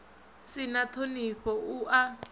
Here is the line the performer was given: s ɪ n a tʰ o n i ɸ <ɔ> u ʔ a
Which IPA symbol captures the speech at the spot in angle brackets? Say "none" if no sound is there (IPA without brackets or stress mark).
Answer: ɔ